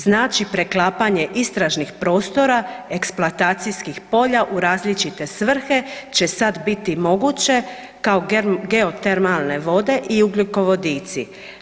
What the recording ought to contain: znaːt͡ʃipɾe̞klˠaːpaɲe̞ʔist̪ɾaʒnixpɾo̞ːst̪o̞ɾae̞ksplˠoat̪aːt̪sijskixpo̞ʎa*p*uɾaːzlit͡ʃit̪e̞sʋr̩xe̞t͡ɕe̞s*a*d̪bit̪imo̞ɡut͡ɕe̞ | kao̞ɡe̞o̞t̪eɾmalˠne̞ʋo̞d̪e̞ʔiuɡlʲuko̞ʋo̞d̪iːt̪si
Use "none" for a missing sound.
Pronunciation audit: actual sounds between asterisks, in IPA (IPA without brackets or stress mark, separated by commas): ʔ, a